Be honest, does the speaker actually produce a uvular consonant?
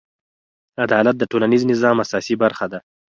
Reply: no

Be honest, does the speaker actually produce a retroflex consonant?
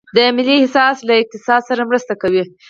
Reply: no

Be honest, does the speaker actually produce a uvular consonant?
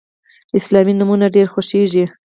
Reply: no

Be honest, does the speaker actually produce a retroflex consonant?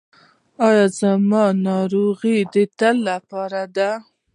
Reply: no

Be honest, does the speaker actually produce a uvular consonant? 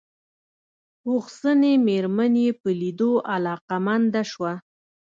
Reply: yes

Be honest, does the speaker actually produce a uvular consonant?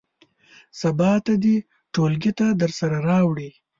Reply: no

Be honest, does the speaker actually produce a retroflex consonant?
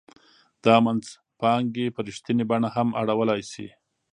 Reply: yes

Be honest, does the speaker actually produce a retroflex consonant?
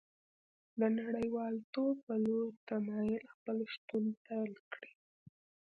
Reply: yes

